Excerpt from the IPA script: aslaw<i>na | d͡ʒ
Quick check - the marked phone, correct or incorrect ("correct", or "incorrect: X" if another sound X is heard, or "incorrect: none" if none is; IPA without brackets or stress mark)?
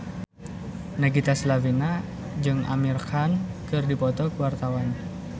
correct